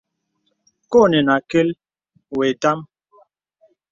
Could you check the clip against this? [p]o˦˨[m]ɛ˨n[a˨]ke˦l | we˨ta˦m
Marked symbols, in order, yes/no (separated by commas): no, no, yes